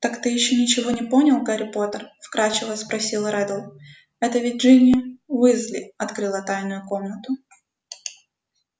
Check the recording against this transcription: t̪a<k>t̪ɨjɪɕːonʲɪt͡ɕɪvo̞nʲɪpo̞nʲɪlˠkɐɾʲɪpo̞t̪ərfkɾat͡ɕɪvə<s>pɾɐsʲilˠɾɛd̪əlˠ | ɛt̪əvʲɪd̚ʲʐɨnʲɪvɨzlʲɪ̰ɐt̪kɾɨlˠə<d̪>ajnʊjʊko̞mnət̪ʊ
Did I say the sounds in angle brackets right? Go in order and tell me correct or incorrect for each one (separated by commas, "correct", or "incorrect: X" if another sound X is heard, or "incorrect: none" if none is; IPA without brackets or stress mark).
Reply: correct, correct, incorrect: t̪